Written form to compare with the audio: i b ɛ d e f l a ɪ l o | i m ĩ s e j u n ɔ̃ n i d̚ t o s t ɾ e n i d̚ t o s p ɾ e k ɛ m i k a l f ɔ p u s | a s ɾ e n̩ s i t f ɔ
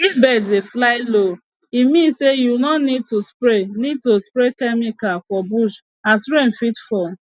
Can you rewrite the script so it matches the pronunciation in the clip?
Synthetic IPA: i b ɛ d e f l a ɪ l o | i m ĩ s e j u n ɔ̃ n i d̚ t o s p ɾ e n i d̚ t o s p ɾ e k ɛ m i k a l f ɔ b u ʃ | a s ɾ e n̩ f i t f ɔ